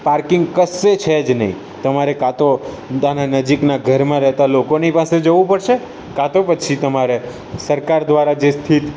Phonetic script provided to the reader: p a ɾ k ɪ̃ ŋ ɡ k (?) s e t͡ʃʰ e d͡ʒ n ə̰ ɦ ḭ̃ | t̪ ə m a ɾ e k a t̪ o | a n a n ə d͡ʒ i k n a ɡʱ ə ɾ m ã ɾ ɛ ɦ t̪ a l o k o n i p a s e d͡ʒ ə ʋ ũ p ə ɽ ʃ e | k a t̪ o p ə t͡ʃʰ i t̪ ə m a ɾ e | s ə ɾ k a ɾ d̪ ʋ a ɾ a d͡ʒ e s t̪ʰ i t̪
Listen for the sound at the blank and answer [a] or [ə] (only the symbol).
ə